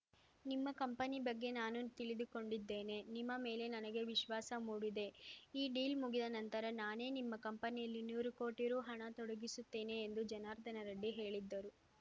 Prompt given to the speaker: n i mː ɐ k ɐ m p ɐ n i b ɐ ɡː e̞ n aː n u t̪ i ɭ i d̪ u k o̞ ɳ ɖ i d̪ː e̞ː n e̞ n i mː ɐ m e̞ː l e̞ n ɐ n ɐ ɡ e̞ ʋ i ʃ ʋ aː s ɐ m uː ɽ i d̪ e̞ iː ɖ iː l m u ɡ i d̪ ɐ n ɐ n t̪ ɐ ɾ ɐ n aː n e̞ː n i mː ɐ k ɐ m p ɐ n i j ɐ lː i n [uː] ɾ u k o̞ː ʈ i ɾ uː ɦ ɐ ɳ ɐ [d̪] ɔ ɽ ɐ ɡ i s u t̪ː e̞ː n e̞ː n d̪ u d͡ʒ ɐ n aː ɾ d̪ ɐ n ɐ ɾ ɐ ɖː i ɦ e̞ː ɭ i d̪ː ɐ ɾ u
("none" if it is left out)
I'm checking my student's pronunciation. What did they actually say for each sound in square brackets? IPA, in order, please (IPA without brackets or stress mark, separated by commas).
uː, t̪